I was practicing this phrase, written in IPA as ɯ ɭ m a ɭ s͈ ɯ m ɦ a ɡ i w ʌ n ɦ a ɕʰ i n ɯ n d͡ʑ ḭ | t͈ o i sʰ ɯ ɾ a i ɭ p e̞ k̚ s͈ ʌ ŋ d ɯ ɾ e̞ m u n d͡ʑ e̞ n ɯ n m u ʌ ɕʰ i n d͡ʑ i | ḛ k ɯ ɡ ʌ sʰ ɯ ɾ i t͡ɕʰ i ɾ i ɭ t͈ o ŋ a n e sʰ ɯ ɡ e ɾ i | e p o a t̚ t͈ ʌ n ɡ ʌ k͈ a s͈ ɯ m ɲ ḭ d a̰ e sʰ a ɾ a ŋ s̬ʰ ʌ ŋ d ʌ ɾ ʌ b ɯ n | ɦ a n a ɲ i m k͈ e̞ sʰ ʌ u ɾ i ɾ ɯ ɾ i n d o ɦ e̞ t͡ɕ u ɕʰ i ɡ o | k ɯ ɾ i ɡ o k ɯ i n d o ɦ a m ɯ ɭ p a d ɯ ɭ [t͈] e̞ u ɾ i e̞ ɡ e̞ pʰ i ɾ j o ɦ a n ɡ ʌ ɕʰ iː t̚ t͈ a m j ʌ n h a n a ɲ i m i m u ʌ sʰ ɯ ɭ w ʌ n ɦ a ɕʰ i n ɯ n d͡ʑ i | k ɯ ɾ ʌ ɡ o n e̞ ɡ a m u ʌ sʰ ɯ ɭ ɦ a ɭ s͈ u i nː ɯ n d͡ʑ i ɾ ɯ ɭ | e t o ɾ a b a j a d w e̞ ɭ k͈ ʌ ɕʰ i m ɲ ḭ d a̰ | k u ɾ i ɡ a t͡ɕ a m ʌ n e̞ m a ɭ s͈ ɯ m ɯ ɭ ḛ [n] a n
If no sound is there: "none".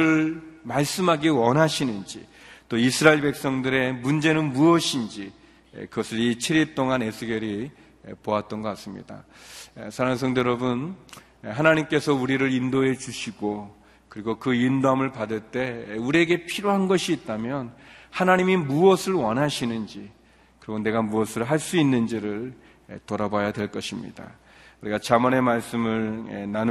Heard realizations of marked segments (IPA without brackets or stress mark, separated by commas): t͈, n